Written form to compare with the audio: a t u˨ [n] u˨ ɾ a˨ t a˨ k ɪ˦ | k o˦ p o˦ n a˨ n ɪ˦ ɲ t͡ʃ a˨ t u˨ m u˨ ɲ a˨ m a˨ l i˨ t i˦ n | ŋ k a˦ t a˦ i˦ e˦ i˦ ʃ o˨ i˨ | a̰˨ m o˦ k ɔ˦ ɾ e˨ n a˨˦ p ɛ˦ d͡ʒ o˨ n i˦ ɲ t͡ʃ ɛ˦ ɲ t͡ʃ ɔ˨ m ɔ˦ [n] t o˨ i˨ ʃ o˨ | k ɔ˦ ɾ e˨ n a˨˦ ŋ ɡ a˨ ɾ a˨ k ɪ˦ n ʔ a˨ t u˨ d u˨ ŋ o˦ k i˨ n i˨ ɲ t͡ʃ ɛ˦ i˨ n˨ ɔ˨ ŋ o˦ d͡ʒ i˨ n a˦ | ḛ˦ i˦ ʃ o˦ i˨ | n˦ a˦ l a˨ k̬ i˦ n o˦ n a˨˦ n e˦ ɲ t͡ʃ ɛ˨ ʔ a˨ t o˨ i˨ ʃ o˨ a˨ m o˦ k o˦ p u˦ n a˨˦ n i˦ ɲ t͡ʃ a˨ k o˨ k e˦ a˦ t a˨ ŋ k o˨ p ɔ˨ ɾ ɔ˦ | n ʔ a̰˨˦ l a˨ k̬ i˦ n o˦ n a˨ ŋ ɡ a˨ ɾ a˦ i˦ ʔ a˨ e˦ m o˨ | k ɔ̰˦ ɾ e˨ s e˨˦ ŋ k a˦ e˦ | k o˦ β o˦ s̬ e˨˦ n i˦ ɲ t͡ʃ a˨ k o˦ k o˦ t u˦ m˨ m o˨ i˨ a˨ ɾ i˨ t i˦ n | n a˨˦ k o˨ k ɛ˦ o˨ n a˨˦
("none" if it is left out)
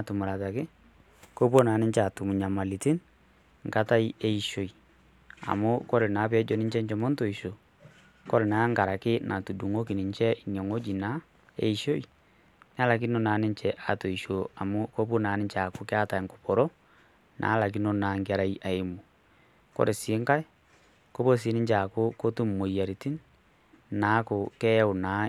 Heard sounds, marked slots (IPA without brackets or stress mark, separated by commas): m, n